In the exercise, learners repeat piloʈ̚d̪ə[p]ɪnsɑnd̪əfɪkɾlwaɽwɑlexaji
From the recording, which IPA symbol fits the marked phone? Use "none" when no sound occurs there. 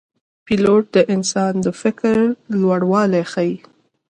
ʔ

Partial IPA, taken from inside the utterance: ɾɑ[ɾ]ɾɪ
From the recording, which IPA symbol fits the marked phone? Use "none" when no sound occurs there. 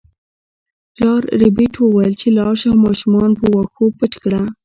ɾ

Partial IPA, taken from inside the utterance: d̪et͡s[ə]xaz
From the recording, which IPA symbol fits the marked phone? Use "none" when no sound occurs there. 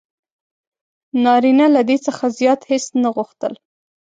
ə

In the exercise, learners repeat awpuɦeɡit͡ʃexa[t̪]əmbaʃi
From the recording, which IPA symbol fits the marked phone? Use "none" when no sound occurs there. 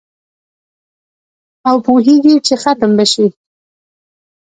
t̪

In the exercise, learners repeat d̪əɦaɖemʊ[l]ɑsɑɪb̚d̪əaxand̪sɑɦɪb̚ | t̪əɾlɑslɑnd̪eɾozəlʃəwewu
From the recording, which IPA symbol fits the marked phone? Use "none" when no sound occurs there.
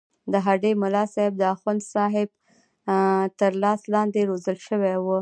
l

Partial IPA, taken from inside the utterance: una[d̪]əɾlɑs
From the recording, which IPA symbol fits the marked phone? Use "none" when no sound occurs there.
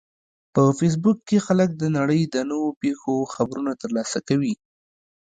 t̪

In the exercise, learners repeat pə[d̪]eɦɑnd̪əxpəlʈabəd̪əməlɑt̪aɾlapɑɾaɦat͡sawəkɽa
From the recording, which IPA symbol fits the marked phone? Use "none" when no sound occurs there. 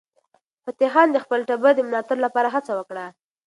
t̪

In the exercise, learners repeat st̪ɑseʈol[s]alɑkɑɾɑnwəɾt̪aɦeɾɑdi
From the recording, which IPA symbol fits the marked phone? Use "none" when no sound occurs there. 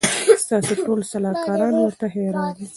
s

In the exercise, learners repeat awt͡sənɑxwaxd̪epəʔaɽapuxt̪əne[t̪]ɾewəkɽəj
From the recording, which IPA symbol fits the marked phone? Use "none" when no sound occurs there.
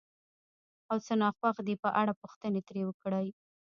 t̪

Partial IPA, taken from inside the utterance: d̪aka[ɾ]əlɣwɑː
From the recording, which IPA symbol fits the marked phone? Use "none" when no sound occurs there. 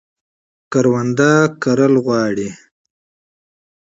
ɾ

